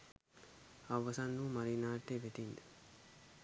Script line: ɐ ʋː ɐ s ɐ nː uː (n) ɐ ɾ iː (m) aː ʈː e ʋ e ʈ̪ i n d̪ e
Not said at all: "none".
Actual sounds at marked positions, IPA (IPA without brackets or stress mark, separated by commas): m, n